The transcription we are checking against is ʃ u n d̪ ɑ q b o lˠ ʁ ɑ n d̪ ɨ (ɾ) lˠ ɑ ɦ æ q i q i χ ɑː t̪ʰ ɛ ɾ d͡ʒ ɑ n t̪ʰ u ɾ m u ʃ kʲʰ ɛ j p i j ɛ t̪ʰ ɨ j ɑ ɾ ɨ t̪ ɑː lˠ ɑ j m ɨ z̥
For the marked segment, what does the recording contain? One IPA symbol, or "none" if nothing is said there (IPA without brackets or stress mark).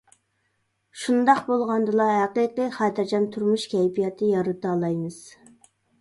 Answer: none